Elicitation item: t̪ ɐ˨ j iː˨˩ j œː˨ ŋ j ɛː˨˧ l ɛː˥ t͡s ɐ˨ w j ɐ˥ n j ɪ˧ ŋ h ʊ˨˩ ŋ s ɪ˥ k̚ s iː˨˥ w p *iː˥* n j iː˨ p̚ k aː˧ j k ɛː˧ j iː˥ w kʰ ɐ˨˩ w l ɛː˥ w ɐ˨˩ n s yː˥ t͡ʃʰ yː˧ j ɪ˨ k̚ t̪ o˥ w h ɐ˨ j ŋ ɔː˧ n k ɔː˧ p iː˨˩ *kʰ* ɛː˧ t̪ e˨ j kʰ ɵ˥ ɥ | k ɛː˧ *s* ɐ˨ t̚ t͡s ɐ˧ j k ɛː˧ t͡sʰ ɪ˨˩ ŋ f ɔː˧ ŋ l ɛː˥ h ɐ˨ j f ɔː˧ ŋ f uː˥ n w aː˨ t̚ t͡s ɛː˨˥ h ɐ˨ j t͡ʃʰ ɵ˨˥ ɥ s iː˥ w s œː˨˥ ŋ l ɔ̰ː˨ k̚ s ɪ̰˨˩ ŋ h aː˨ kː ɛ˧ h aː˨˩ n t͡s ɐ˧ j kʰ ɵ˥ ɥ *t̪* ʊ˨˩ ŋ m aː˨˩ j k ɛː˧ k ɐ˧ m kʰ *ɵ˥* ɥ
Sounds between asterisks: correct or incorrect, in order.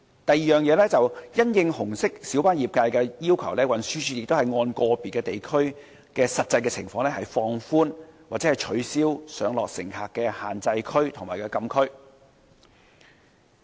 incorrect, incorrect, correct, incorrect, correct

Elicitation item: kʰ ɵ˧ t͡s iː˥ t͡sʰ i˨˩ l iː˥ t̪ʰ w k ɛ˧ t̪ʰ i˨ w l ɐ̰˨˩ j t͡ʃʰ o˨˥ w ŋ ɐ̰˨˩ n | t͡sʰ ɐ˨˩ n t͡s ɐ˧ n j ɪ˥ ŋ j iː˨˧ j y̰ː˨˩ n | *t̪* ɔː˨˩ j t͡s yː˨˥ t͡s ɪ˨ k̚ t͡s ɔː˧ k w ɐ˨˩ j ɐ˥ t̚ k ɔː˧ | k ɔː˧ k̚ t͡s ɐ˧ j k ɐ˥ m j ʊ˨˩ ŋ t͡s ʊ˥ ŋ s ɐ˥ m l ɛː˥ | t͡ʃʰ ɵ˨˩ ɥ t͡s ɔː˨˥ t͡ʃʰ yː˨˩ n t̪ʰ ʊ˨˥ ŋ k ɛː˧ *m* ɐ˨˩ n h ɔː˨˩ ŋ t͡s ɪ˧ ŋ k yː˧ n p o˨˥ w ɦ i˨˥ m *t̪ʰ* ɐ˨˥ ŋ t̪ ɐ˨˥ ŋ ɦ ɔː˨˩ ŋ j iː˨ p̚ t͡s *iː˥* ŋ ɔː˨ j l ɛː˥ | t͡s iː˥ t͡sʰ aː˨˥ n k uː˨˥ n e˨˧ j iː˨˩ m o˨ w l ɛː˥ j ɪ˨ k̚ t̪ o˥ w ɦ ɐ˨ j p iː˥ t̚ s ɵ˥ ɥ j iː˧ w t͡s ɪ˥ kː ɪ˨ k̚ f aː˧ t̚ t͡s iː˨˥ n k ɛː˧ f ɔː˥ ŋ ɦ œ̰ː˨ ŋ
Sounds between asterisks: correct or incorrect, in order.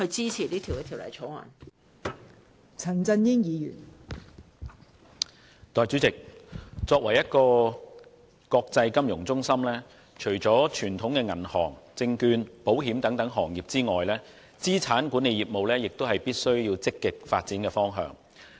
correct, incorrect, incorrect, correct

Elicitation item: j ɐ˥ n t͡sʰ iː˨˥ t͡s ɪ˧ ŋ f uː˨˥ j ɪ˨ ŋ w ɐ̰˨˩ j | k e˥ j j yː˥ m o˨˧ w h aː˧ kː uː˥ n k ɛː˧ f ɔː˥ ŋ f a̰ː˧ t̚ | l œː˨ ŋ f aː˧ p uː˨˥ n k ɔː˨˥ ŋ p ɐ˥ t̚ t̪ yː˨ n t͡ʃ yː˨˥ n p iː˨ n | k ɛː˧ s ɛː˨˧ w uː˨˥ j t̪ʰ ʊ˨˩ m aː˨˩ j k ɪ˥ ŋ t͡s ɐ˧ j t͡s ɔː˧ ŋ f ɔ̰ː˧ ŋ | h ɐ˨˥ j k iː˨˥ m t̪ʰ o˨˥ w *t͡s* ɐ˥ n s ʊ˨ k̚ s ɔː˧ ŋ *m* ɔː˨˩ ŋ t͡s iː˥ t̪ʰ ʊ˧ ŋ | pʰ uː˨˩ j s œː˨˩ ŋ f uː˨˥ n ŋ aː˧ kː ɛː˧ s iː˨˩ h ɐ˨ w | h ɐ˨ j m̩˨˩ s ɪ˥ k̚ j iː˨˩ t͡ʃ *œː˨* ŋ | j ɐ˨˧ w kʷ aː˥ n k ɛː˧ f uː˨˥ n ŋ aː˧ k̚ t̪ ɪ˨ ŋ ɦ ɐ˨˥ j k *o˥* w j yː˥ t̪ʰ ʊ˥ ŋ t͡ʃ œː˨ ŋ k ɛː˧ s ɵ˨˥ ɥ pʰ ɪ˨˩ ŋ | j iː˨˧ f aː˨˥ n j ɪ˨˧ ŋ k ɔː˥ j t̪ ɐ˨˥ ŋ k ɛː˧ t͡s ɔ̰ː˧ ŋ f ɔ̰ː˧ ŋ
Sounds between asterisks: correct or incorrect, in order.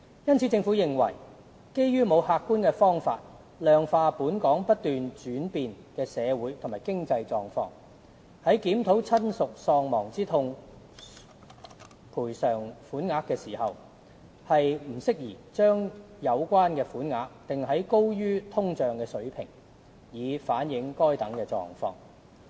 incorrect, correct, incorrect, correct

